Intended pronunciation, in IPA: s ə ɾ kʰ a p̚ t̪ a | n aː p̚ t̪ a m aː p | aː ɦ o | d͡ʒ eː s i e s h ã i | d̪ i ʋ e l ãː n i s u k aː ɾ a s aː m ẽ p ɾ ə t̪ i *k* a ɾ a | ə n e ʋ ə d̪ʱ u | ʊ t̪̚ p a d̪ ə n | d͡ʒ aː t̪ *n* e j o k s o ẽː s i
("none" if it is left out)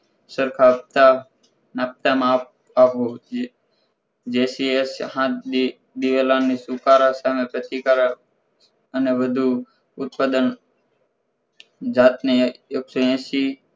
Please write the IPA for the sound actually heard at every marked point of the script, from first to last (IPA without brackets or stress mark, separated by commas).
k, n